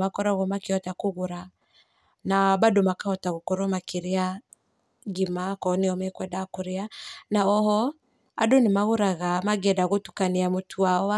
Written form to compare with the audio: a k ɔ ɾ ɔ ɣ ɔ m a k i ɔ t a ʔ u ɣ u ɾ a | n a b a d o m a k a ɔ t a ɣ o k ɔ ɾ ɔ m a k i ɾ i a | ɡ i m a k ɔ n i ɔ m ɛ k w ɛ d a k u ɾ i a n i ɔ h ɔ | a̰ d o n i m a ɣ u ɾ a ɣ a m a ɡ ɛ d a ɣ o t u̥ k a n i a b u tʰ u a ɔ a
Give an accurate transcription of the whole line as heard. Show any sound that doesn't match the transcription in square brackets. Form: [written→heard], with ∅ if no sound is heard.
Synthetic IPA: a k ɔ ɾ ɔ ɣ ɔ m a k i ɔ t a [ʔ→k] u ɣ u ɾ a | n a b a d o m a k a ɔ t a ɣ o k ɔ ɾ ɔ m a k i ɾ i a | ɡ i m a k ɔ n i ɔ m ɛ k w ɛ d a k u ɾ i a n [i→a] ɔ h ɔ | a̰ d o n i m a ɣ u ɾ a ɣ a m a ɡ ɛ d a ɣ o t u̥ k a n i a [b→m] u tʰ u a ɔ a